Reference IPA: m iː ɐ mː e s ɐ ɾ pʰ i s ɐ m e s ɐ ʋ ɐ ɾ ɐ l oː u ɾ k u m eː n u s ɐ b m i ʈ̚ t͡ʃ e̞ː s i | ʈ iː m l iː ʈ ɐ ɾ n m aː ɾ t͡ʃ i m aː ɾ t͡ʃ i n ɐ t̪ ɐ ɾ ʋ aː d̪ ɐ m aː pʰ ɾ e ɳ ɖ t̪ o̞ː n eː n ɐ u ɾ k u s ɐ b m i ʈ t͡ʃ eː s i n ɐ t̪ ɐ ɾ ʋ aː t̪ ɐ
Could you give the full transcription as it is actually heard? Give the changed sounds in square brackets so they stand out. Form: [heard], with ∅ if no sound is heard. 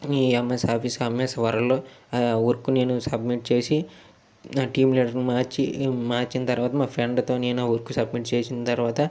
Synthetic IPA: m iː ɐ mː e s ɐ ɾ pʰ i s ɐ m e s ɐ ʋ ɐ ɾ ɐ l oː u ɾ k u [n] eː n u s ɐ b m i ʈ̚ t͡ʃ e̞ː s i | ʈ iː m l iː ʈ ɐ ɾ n m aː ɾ t͡ʃ i m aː ɾ t͡ʃ i n ɐ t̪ ɐ ɾ ʋ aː [t̪] ɐ m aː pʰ ɾ e ɳ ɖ t̪ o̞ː n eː n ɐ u ɾ k u s ɐ b m i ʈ t͡ʃ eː s i n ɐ t̪ ɐ ɾ ʋ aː t̪ ɐ